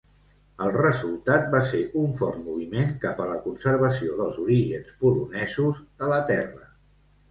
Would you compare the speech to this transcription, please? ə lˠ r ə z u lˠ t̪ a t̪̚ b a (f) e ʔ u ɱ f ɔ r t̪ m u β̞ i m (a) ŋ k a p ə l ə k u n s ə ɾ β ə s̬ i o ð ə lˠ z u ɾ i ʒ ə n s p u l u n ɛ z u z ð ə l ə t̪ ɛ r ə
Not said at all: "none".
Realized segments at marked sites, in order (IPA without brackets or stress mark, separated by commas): s, e